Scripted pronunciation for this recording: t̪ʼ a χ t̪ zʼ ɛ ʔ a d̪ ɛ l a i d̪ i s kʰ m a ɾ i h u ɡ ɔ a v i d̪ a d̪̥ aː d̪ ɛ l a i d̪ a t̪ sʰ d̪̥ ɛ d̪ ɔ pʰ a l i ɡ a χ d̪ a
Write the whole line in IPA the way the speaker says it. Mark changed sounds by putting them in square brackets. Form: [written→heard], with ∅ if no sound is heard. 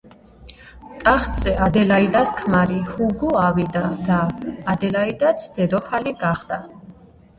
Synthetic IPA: t̪ʼ a χ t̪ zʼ ɛ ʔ a d̪ ɛ l a i d̪ [i→a] s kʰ m a ɾ i h u ɡ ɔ a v i d̪ a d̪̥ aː d̪ ɛ l a i d̪ a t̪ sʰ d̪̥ ɛ d̪ ɔ pʰ a l i ɡ a χ d̪ a